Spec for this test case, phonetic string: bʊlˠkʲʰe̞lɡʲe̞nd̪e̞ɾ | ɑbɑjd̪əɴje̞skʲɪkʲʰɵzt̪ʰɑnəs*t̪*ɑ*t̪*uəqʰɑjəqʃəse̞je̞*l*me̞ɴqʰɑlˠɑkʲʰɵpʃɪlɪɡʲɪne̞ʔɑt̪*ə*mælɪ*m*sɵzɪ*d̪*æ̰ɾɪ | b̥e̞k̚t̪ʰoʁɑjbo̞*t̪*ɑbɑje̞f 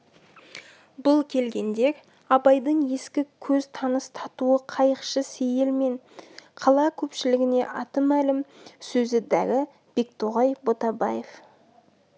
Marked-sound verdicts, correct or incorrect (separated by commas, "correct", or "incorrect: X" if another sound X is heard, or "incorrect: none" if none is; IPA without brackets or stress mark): incorrect: t̪ʰ, correct, correct, correct, correct, correct, correct